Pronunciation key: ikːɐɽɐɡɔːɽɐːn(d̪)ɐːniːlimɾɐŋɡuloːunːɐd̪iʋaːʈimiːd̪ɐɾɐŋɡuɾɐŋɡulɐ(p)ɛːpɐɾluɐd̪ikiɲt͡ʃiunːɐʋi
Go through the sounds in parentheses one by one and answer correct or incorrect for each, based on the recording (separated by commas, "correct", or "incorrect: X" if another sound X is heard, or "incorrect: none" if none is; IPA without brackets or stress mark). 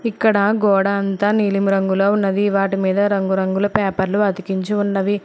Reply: incorrect: t̪, correct